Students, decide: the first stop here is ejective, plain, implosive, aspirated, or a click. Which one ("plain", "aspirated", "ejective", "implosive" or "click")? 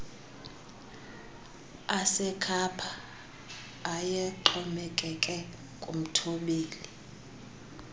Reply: aspirated